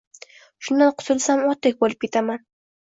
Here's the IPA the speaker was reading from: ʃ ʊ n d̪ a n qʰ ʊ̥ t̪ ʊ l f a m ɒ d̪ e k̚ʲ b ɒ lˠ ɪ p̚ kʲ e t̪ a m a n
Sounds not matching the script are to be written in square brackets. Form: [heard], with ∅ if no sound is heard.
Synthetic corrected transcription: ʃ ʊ n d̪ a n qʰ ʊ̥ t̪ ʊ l [s] a m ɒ [t̪] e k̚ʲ b [o] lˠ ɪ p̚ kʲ e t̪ a m a n